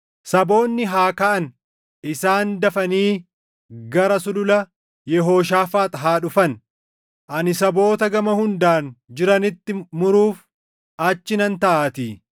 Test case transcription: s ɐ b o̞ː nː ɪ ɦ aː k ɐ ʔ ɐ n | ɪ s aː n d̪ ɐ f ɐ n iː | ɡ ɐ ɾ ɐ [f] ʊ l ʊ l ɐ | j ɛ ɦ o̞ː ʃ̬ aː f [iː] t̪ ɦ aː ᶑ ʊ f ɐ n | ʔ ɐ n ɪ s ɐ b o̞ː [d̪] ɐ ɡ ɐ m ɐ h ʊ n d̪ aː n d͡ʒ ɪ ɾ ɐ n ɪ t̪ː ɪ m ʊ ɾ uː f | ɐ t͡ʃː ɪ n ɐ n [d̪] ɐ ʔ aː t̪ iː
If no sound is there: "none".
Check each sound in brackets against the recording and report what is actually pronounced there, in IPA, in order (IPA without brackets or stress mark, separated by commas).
s, aː, t̪, t̪